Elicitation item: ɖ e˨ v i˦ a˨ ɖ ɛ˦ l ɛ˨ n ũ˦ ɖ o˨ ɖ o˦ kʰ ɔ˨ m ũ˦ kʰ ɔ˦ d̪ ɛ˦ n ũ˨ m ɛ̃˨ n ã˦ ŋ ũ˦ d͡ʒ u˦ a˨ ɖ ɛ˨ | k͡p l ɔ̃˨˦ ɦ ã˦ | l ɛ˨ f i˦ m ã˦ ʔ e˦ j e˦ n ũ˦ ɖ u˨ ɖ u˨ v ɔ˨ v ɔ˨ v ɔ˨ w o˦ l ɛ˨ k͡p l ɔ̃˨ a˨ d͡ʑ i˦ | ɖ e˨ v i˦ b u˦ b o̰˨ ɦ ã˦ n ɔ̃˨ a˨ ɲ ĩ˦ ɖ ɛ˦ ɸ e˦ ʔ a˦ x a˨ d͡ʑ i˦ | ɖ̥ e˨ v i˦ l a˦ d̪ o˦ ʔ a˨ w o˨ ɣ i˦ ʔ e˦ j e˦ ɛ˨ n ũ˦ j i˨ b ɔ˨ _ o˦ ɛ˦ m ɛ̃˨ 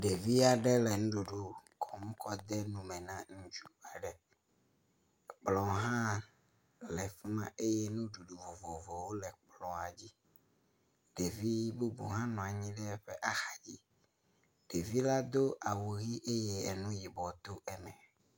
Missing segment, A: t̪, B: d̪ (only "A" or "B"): A